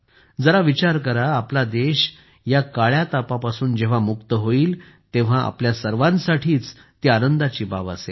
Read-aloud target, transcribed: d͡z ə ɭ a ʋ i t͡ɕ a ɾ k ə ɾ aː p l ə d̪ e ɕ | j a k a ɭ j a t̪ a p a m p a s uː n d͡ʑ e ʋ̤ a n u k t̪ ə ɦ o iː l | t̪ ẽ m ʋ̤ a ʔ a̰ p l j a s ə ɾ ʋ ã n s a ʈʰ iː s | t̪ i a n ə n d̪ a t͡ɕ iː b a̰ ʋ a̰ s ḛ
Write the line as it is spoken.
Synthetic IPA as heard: d͡z ə ɾ a ʋ i t͡ɕ a ɾ k ə ɾ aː p l a d̪ e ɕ | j a k a ɭ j a t̪ a p a p a s uː n d͡ʑ e ʋ̤ a m u k t̪ ə ɦ o iː l | t̪ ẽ ʋ̤ a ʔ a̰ p l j a s ə ɾ ʋ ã n s a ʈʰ iː t͡s | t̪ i a n ə n d̪ a t͡ɕ iː b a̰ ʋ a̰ s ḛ